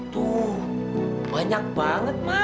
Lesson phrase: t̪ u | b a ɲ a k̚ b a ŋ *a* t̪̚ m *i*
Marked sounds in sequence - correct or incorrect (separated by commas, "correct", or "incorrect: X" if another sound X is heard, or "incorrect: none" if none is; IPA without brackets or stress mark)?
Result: incorrect: ə, incorrect: a